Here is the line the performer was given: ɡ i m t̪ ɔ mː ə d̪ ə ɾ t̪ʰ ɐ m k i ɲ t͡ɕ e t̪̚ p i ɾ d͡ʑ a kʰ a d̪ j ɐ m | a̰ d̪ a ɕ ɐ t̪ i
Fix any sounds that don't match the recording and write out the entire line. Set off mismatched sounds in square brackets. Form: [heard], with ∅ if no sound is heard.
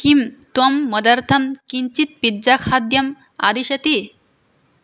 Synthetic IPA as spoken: [k] i m t̪ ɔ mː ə d̪ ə ɾ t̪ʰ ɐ m k i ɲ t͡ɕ [i] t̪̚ p i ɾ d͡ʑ a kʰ a d̪ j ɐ m | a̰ d̪ [i] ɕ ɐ t̪ i